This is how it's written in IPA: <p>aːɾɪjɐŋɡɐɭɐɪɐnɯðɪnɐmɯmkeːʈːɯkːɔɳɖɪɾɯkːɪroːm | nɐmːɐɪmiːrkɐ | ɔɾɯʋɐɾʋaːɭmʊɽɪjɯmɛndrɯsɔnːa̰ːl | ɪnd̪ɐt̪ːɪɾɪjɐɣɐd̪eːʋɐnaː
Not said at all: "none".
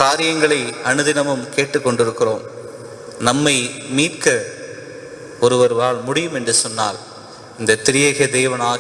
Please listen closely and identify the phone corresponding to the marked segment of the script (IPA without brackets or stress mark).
k